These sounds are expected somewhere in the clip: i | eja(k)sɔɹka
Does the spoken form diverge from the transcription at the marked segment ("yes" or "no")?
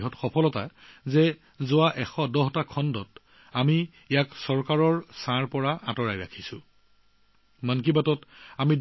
no